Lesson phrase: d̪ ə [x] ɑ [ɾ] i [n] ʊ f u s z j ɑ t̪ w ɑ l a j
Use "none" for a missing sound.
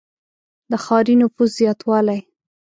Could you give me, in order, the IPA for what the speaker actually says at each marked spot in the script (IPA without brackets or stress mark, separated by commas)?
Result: x, ɾ, n